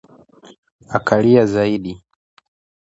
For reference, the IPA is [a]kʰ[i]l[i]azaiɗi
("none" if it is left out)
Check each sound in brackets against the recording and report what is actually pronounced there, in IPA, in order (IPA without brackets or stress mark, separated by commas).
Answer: a, a, i